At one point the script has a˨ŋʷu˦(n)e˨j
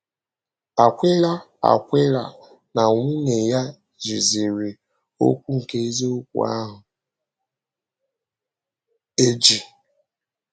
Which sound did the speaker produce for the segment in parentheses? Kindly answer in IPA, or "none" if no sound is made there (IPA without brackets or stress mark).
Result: n